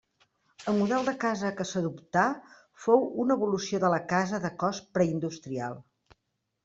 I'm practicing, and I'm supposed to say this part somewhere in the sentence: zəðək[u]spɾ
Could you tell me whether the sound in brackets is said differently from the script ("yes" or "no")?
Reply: yes